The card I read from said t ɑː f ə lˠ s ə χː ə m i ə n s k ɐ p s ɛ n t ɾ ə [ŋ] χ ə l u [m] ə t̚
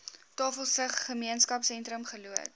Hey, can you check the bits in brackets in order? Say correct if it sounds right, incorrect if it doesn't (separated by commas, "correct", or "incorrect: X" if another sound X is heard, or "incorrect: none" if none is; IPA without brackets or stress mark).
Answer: incorrect: m, incorrect: none